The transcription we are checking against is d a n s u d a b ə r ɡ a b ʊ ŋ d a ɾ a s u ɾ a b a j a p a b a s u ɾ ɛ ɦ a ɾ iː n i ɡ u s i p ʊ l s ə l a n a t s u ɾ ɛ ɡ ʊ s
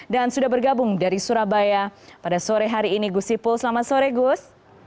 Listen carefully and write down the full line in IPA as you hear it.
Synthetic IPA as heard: d a n s u d a b ə r ɡ a b ʊ ŋ d a ɾ i s u ɾ a b a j a p a d a s o ɾ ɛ ɦ a ɾ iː n i ɡ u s i p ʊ l s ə l a m a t s o ɾ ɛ ɡ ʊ s